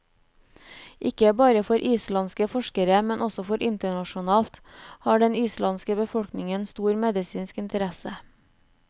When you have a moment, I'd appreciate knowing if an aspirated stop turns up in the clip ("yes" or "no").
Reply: no